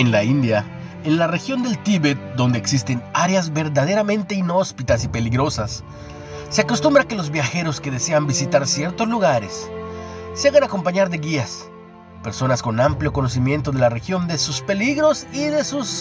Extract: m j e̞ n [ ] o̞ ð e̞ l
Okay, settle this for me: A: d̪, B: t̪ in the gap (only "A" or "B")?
B